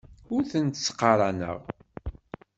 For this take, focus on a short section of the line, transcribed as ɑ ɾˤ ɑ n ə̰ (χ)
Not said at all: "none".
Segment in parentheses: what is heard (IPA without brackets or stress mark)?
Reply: ʁ